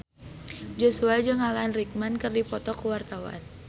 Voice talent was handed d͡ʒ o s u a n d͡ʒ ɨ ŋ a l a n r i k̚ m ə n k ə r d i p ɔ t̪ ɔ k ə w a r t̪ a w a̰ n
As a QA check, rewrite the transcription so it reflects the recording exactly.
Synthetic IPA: d͡ʒ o s u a d͡ʒ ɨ ŋ a l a n r i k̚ m a n k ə r d i p ɔ t̪ ɔ k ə w a r t̪ a w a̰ n